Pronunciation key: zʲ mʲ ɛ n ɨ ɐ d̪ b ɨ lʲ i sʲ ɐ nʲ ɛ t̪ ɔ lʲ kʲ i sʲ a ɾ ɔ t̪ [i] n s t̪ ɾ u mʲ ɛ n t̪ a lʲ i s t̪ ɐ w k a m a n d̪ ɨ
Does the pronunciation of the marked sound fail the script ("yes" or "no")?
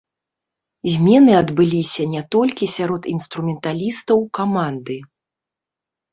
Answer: no